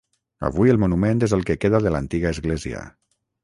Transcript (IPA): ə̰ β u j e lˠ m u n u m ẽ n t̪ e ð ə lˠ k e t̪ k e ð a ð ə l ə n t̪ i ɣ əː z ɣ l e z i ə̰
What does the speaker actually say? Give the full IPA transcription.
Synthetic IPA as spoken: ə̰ β u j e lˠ m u n u m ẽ n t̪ e z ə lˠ k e k e ð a ð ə l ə n t̪ i ɣ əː z ɣ l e z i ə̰